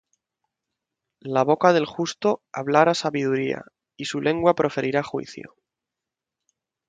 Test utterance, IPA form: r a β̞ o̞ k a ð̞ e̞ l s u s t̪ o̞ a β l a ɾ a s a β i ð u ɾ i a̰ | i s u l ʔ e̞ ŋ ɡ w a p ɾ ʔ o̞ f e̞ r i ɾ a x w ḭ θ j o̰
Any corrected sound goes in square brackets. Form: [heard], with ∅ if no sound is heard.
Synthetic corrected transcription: [l] a β̞ o̞ k a ð̞ e̞ l [x] u s t̪ o̞ a β l a ɾ a s a β i ð u ɾ i a̰ | i s u l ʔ e̞ ŋ ɡ w a p ɾ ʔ o̞ f e̞ [ɾ] i ɾ a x w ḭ θ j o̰